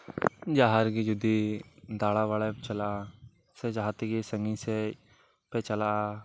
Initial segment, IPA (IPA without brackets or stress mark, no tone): d͡ʒ